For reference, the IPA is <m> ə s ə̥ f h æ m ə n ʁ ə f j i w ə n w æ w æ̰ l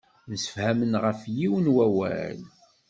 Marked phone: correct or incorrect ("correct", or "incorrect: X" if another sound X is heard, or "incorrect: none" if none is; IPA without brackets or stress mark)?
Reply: incorrect: n